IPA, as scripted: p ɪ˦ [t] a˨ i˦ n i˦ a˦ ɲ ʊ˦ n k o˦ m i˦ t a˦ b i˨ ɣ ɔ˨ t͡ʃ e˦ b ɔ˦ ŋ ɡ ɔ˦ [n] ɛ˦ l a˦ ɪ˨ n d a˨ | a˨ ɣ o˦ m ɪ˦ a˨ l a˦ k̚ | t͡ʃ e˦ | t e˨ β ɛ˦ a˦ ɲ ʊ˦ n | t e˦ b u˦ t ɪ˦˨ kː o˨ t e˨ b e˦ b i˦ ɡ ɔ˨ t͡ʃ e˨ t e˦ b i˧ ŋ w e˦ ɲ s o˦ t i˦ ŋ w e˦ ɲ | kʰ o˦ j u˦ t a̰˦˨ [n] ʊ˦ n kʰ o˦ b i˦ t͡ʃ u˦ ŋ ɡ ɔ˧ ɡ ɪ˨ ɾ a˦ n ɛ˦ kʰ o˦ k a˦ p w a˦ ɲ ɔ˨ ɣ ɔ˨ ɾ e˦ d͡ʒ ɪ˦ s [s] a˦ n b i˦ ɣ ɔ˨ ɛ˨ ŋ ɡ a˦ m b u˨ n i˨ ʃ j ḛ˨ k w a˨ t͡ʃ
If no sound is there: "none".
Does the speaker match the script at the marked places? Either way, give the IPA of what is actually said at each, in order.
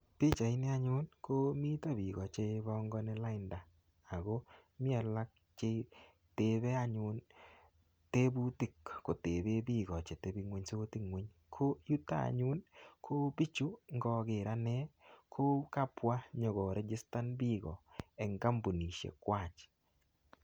t͡ʃ, n, ɲ, t

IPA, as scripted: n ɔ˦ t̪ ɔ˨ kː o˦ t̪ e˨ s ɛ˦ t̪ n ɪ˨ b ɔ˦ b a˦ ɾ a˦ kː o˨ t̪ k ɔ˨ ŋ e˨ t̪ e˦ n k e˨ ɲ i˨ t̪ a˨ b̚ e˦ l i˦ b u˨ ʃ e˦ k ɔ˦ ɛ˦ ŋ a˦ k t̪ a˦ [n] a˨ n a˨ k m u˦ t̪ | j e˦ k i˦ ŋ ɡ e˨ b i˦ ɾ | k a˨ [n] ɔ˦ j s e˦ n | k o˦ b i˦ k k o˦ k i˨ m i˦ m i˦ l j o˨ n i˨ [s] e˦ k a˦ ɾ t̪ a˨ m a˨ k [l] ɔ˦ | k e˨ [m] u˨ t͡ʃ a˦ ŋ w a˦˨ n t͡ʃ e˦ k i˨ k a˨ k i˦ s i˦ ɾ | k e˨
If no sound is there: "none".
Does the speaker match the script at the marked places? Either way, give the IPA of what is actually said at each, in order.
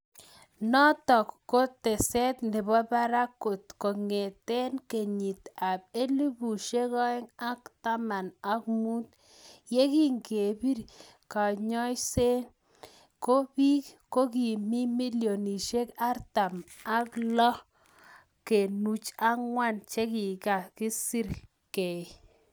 m, ɲ, ʃ, l, n

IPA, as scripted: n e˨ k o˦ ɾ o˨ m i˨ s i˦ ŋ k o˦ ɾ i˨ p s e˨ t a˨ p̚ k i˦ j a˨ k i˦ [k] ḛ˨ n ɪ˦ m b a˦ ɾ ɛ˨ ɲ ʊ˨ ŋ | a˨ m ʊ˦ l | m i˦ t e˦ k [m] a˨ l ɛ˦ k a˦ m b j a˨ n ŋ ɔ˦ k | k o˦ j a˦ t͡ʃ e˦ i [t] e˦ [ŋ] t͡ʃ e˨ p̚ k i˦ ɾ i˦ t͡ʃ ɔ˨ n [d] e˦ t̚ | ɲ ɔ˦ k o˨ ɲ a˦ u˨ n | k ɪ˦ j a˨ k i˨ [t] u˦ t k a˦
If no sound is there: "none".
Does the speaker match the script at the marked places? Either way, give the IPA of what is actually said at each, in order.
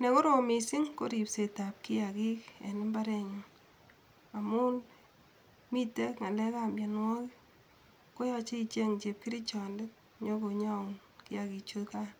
k, ŋ, t͡ʃ, ŋ, d, t͡ʃ

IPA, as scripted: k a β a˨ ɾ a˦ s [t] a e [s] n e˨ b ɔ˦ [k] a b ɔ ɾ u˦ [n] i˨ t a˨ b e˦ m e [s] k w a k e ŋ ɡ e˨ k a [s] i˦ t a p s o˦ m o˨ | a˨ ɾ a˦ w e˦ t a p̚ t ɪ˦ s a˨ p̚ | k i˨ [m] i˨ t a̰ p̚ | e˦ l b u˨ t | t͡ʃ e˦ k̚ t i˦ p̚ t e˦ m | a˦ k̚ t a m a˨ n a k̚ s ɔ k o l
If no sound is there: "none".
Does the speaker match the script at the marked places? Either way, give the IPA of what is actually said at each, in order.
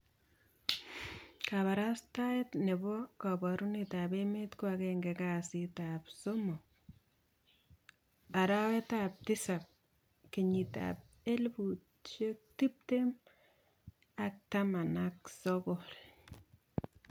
t, t, k, n, t, s, ɲ

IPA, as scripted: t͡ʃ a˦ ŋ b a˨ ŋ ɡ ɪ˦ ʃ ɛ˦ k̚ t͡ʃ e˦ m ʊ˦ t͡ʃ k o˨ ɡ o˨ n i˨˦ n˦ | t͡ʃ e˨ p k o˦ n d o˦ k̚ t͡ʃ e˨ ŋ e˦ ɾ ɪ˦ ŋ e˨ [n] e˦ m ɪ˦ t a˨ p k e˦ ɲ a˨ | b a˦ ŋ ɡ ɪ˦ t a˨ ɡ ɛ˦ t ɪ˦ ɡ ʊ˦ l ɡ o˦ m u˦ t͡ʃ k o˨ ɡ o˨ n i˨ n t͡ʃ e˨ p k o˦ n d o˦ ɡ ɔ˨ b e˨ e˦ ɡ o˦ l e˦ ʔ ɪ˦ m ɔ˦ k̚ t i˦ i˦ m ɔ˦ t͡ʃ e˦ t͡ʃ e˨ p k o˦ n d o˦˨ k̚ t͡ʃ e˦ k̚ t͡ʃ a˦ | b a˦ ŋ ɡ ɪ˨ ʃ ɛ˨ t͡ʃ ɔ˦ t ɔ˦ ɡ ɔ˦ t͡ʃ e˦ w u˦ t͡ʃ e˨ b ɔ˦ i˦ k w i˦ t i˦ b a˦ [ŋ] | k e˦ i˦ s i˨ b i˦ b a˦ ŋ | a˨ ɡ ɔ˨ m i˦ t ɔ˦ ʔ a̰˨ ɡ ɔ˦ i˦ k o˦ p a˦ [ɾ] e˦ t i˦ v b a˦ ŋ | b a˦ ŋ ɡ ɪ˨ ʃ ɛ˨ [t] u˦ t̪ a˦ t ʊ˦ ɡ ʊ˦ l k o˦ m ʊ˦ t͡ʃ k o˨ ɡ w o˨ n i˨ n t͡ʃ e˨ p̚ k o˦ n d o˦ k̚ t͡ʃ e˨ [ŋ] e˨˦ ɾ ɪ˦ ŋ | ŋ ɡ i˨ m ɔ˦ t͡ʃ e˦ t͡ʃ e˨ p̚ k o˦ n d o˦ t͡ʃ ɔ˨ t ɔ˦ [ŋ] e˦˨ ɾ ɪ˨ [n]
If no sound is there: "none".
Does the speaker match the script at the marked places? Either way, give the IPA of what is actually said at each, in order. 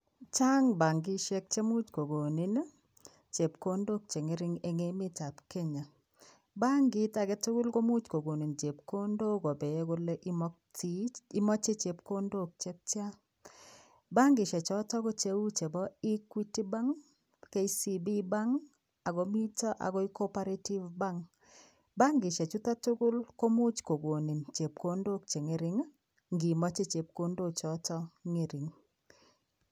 ŋ, ŋ, ɾ, t͡ʃ, ŋ, ŋ, ŋ

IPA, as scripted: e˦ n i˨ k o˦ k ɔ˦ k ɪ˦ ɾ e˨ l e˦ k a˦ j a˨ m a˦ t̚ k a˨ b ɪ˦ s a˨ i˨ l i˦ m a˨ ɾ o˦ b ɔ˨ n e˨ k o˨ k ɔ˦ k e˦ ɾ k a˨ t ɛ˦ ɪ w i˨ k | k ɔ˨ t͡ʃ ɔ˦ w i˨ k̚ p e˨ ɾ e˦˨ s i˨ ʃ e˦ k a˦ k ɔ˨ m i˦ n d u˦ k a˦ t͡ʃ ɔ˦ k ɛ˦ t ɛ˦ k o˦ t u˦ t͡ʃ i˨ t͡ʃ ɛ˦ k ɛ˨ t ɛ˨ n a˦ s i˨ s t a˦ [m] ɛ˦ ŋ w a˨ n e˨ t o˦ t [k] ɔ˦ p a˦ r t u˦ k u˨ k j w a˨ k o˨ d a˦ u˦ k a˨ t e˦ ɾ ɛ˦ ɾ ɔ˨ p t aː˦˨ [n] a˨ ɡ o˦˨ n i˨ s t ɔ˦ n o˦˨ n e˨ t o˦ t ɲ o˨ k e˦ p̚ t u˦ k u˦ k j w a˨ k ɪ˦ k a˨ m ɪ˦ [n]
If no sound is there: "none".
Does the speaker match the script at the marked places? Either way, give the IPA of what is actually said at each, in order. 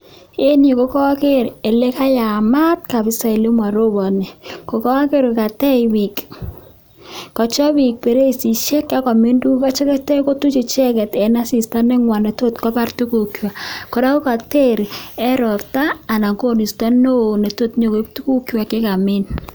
n, k, n, n

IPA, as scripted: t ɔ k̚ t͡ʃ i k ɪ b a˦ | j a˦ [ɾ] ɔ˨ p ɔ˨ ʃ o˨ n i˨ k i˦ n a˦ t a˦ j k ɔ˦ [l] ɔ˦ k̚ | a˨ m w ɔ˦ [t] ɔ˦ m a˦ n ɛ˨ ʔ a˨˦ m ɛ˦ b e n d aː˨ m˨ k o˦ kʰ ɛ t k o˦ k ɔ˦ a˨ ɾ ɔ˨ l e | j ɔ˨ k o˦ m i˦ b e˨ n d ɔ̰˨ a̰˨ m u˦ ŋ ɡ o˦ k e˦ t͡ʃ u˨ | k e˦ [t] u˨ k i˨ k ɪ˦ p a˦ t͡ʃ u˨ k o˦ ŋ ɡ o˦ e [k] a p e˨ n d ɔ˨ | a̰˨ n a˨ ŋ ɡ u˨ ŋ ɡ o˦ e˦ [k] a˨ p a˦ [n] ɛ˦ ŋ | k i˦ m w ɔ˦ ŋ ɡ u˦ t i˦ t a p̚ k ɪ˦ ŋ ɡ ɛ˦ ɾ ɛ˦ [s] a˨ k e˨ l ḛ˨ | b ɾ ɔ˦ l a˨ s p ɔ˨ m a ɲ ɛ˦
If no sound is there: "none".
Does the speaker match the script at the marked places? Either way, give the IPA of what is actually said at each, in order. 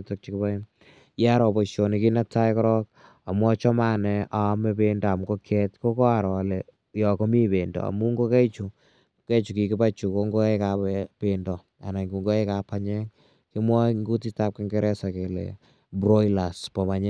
ɾ, ɾ, t͡ʃ, t͡ʃ, k, k, ɲ, s

